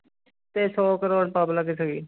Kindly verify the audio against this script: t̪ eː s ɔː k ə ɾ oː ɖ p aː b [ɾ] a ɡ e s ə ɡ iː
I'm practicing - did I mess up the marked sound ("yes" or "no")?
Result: yes